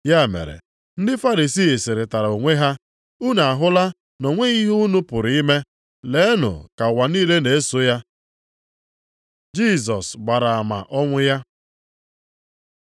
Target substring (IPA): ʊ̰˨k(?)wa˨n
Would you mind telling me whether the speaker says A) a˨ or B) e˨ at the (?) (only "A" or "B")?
A